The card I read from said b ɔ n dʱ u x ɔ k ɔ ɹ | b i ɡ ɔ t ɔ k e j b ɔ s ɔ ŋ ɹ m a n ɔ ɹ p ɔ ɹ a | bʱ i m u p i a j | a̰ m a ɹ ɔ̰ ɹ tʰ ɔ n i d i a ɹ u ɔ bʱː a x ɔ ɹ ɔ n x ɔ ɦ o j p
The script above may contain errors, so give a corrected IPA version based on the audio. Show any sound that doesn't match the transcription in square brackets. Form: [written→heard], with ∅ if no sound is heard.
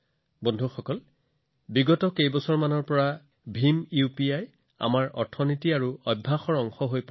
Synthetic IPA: b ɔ n dʱ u x ɔ k ɔ [ɹ→l] | b i ɡ ɔ t ɔ k e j b ɔ s ɔ [ŋ→∅] ɹ m a n ɔ ɹ p ɔ ɹ a | bʱ i m u p i a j | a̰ m a ɹ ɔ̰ ɹ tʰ ɔ n i [d→t] i a ɹ u ɔ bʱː a x ɔ ɹ ɔ [n→ŋ] x ɔ ɦ o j p